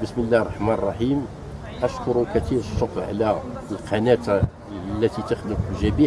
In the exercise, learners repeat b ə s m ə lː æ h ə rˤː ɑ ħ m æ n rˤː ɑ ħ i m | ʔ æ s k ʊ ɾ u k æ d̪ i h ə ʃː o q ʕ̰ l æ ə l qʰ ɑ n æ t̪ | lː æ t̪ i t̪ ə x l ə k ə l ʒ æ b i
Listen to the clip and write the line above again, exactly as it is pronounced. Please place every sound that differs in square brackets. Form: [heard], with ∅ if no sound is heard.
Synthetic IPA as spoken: b ə s m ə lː æ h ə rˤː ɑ ħ m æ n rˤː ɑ ħ i m | ʔ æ [ʃ] k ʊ ɾ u k æ [t̪] i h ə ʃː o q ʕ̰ l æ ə l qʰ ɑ n æ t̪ | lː æ t̪ i t̪ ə x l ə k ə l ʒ æ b i

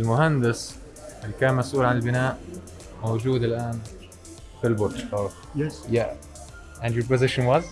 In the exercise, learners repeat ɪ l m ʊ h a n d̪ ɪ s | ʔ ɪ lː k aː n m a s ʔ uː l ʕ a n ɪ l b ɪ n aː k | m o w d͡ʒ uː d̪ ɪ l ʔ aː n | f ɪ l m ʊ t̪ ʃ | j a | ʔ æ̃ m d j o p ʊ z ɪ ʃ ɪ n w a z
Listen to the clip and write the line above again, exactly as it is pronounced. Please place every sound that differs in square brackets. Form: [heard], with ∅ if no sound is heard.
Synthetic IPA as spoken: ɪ l m ʊ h a n d̪ ɪ s | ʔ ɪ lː k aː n m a s ʔ uː l ʕ a n ɪ l b ɪ n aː [ʔ] | m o w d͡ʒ uː d̪ ɪ l ʔ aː n | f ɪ l [b] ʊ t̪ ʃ | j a | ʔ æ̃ [n] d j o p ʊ z ɪ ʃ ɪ n w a z

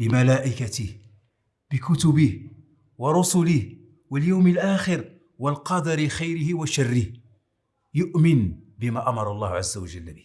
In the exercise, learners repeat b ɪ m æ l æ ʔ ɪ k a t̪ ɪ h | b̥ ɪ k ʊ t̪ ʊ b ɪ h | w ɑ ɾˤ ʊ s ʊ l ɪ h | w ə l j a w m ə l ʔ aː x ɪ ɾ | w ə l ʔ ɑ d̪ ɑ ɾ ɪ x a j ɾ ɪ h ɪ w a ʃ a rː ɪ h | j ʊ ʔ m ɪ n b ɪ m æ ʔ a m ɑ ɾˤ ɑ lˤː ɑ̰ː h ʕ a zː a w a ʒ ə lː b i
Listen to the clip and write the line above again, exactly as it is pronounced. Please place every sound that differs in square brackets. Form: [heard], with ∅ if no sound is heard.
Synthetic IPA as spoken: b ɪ m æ l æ ʔ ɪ k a t̪ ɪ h | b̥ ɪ k ʊ t̪ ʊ b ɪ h | w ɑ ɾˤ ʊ s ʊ l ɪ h | w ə l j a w m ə l ʔ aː x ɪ ɾ | w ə l [q] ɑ d̪ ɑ ɾ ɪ x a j ɾ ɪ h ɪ w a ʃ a rː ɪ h | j ʊ ʔ m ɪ n b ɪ m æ ʔ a m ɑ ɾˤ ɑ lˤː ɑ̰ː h ʕ a zː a w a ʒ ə lː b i

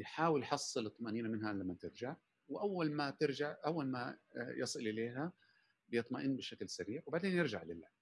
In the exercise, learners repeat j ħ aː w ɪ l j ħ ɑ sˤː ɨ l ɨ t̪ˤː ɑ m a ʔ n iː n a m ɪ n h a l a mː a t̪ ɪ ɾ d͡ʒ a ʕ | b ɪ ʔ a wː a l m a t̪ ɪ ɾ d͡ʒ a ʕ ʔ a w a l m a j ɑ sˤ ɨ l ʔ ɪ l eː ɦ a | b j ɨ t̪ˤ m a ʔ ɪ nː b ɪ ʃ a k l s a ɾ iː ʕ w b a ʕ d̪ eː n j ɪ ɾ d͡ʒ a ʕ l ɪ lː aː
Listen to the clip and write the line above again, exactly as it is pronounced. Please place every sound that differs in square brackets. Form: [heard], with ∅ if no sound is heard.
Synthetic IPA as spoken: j ħ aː w ɪ l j ħ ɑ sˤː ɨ l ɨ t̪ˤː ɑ m a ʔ n iː n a m ɪ n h a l a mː a t̪ ɪ ɾ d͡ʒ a ʕ | [w] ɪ ʔ a wː a l m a t̪ ɪ ɾ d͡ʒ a ʕ ʔ a [wː] a l m a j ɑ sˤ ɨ l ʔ ɪ l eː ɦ a | b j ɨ t̪ˤ m a ʔ ɪ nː b ɪ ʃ a k l s a ɾ iː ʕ w b a ʕ d̪ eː n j ɪ ɾ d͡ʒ a ʕ l ɪ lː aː

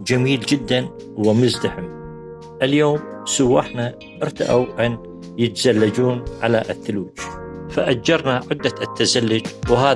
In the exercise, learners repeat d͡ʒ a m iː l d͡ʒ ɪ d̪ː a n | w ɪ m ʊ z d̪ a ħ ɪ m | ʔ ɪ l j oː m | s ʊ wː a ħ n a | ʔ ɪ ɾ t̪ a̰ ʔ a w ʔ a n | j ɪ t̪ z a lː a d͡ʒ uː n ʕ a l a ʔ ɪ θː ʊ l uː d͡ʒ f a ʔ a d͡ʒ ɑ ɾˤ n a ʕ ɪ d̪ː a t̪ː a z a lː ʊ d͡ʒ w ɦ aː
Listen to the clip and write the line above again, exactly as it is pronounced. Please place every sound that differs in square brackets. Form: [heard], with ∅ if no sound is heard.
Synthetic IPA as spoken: d͡ʒ a m iː l d͡ʒ ɪ d̪ː a n | w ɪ m ʊ z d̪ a ħ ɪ m | ʔ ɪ l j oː m | s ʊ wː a ħ n a | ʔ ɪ ɾ t̪ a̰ ʔ a w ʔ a n | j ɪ t̪ z a lː a d͡ʒ uː n ʕ a l a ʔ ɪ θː ʊ l uː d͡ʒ f a ʔ a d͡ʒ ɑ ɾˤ n a ʕ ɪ d̪ː a t̪ː a z a lː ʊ d͡ʒ w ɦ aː

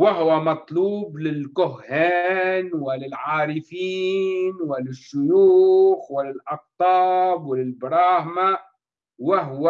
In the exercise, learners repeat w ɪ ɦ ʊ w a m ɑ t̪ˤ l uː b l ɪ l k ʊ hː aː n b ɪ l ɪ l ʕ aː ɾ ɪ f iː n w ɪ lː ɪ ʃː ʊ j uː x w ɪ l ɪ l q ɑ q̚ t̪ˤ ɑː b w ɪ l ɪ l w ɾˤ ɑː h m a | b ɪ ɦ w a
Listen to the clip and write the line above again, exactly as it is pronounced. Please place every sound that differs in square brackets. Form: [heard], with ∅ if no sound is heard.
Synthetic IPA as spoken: w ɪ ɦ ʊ w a m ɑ t̪ˤ l uː b l ɪ l k ʊ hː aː n [w] ɪ l ɪ l ʕ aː ɾ ɪ f iː n w ɪ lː ɪ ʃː ʊ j uː x w ɪ l ɪ l [ʔ] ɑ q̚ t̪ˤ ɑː b w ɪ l ɪ l [b] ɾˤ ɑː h m a | [w] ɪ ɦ w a

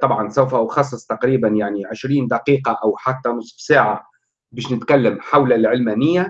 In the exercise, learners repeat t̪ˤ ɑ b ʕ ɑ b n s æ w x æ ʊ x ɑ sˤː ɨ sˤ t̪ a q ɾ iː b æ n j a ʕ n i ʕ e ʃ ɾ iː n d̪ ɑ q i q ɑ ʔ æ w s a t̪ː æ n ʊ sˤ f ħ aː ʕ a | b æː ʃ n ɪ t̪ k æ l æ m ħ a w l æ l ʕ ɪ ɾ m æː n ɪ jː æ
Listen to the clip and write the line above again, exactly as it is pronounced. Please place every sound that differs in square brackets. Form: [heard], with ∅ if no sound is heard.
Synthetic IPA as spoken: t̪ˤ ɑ b ʕ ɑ [∅] n s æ w [f] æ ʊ x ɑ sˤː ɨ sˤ t̪ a q ɾ iː b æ n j a ʕ n i ʕ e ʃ ɾ iː n d̪ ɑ q [iː] q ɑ ʔ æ w [ħ] a t̪ː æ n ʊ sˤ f [s] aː ʕ a | b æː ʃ n ɪ t̪ k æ [lː] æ m ħ a w l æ l ʕ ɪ [l] m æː n ɪ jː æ

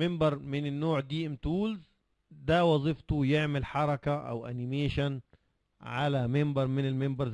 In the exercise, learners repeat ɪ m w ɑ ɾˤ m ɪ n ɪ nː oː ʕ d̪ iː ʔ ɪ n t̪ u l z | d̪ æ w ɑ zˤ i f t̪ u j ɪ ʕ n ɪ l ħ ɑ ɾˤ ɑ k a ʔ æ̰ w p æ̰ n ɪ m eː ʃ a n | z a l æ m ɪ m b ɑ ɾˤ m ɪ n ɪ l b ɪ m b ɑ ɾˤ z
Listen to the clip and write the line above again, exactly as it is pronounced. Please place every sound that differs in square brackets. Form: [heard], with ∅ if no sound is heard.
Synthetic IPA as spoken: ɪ m [b] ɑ ɾˤ m ɪ n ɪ nː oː ʕ d̪ iː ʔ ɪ [m] t̪ [uː] l z | d̪ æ w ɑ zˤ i f t̪ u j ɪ ʕ [m] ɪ l ħ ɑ ɾˤ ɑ k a ʔ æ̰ w [ʔ] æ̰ n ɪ m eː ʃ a n | [ʕ] a l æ m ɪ m b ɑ ɾˤ m ɪ n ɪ l [m] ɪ m b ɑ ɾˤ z

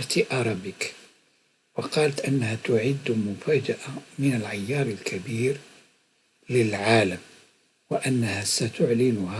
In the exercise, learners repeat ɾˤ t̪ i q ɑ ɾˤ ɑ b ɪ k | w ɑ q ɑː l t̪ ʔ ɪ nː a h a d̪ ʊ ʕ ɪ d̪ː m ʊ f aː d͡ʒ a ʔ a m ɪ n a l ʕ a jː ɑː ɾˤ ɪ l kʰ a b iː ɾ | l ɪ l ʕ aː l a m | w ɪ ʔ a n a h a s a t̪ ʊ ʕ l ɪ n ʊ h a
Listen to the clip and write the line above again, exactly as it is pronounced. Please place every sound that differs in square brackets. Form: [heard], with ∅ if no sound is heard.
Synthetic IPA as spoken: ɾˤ t̪ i [ʔ] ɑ ɾˤ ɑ b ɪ k | w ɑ q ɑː l t̪ ʔ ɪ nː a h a [t̪] ʊ ʕ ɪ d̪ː m ʊ f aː d͡ʒ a ʔ a m ɪ n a l ʕ a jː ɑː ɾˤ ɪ l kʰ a b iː ɾ | l ɪ l ʕ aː l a m | w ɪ ʔ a [nː] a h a s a t̪ ʊ ʕ l ɪ n ʊ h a

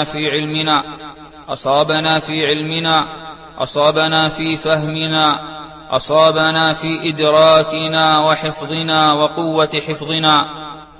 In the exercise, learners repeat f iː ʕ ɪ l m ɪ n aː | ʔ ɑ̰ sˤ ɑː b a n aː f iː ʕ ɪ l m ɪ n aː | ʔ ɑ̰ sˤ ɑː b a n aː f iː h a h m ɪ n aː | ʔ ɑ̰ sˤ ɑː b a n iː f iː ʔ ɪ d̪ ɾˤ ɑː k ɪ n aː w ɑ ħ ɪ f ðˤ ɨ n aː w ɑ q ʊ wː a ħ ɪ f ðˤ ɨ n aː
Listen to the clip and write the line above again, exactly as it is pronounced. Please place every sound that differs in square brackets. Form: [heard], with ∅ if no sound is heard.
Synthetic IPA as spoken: f iː ʕ ɪ l m ɪ n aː | ʔ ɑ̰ sˤ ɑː b a n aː f iː ʕ ɪ l m ɪ n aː | ʔ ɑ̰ sˤ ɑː b a n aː f iː [f] a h m ɪ n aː | ʔ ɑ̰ sˤ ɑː b a n [aː] f iː ʔ ɪ d̪ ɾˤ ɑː k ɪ n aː w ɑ ħ ɪ f ðˤ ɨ n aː w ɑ q ʊ wː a ħ ɪ f ðˤ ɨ n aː

